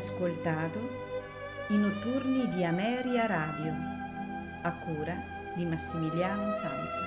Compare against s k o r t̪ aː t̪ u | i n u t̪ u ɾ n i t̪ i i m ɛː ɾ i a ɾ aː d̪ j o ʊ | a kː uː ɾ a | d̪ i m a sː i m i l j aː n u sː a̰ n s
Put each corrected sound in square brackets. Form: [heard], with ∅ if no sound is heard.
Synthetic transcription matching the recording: s k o [l] t̪ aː t̪ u | i n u t̪ u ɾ n i [d̪] i [a] m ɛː ɾ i a ɾ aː d̪ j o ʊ | a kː uː ɾ a | d̪ i m a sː i m i l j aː n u [s] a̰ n s